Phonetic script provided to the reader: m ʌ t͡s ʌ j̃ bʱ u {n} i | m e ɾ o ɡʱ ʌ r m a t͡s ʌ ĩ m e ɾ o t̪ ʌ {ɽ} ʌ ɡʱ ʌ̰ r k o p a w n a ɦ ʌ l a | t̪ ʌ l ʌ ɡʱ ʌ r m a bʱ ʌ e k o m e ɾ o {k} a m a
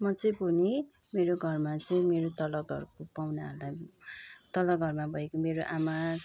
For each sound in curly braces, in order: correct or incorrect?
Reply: correct, incorrect: l, incorrect: ʔ

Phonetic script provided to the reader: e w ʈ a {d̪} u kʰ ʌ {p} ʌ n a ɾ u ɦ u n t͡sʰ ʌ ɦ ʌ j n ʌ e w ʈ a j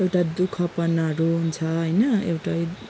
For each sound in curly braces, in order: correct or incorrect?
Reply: correct, correct

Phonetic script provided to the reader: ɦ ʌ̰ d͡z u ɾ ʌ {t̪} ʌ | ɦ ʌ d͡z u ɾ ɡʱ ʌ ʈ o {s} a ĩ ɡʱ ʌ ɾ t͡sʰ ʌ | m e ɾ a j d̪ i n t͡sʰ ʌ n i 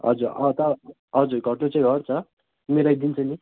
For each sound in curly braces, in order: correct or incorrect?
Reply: correct, incorrect: t͡s

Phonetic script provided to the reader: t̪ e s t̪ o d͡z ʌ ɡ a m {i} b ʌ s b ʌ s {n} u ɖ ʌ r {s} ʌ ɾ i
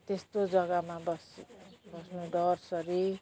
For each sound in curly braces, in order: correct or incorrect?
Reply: incorrect: a, correct, correct

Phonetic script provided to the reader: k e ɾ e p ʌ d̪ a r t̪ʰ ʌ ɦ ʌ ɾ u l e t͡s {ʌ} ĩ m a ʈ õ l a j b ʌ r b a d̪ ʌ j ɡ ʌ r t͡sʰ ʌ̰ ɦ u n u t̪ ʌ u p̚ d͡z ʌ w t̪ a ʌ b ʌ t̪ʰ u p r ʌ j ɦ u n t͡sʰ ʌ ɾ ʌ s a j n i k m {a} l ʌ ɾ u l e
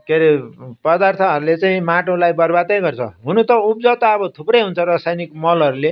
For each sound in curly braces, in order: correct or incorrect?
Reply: incorrect: a, incorrect: ʌ

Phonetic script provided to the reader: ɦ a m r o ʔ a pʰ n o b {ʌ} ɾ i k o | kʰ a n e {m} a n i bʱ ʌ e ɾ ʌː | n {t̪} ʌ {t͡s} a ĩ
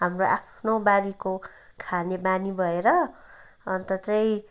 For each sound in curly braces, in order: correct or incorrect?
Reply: incorrect: a, incorrect: b, correct, correct

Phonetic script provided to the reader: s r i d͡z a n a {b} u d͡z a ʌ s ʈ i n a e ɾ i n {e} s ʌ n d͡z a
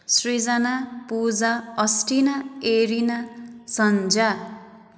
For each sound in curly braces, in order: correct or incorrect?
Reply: incorrect: p, incorrect: a

